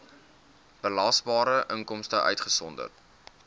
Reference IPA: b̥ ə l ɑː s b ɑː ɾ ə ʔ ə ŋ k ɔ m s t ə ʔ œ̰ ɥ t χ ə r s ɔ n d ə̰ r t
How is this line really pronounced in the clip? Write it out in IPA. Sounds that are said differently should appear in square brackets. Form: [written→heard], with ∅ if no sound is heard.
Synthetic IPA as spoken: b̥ ə l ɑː s b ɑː ɾ ə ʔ ə ŋ k ɔ m s t ə ʔ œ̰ ɥ t χ ə [r→∅] s ɔ n d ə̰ r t